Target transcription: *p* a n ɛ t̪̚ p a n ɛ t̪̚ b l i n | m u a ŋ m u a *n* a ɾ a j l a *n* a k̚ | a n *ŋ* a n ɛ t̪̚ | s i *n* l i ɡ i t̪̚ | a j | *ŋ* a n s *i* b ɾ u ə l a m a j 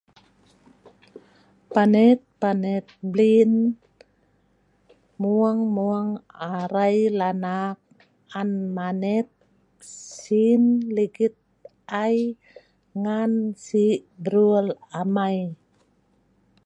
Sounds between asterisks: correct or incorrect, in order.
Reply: correct, incorrect: ŋ, correct, incorrect: m, correct, correct, correct

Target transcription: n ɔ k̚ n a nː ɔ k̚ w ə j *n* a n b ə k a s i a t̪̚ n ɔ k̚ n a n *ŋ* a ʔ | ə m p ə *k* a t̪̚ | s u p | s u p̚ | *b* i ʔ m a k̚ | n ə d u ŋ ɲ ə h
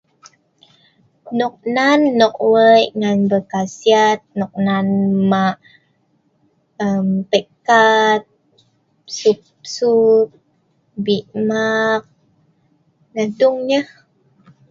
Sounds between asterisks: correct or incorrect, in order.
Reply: incorrect: ŋ, incorrect: m, correct, correct

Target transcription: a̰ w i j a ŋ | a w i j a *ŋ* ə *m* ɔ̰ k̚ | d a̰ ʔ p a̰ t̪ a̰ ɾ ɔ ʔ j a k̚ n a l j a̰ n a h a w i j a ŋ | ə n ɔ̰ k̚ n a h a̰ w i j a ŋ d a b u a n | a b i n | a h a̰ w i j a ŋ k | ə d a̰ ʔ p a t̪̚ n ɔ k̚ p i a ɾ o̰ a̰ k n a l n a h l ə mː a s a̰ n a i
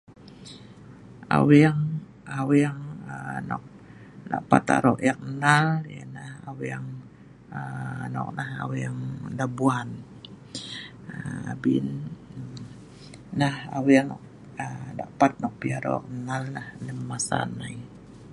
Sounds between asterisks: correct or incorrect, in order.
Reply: correct, incorrect: n

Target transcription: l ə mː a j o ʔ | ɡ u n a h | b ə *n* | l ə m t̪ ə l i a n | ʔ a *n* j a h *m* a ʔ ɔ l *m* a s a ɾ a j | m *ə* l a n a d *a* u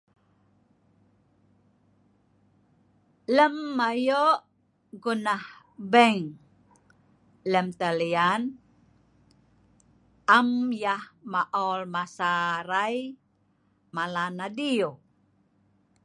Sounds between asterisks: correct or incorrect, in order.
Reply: incorrect: ŋ, incorrect: m, correct, correct, incorrect: a, incorrect: i

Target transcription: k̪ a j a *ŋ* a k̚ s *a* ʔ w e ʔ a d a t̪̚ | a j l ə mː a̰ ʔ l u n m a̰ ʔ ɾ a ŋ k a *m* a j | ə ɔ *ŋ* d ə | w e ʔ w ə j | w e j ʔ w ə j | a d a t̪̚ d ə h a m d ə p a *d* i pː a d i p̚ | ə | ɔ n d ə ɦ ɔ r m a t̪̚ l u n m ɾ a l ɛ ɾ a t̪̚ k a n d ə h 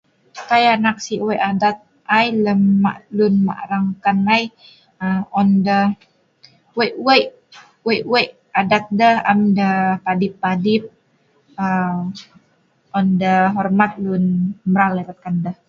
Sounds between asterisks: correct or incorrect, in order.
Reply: incorrect: n, incorrect: i, incorrect: n, incorrect: n, correct

